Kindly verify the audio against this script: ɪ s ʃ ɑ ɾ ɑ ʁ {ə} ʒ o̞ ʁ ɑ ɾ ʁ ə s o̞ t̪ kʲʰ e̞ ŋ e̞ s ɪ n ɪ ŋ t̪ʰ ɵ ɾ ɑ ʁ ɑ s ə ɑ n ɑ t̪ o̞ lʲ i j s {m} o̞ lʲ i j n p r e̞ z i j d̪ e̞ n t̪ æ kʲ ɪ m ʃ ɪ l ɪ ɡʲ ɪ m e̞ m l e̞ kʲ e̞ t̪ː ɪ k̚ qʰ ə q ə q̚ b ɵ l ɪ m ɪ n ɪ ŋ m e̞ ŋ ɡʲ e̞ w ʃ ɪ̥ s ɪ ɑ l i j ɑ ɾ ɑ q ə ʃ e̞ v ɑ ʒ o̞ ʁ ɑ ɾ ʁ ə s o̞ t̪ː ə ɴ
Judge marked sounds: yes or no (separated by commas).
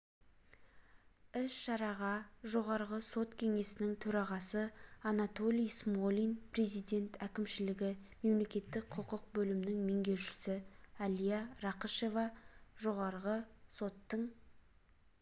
no, yes